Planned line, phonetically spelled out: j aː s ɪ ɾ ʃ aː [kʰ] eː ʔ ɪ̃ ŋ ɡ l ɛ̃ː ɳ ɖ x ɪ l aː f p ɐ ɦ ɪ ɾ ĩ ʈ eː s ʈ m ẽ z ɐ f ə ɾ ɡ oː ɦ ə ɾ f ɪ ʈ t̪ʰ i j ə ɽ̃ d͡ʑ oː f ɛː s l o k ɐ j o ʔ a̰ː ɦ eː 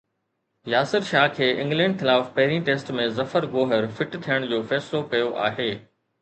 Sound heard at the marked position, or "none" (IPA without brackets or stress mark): kʰ